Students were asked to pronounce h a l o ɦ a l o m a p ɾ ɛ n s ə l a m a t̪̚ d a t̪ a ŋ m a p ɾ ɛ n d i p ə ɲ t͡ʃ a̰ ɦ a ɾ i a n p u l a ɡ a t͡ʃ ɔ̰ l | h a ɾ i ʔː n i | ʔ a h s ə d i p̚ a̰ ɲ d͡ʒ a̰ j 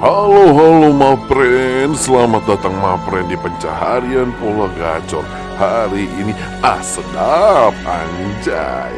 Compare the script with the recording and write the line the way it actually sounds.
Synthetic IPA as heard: h a l o ɦ a l o m a p ɾ ɛ n s ə l a m a t̪̚ d a t̪ a ŋ m a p ɾ ɛ n d i p ə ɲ t͡ʃ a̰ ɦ a ɾ i a n p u l a ɡ a t͡ʃ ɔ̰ r | h a ɾ i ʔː n i | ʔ a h s ə d a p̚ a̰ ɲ d͡ʒ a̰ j